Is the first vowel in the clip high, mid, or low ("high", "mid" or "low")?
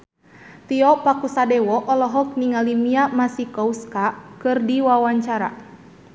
high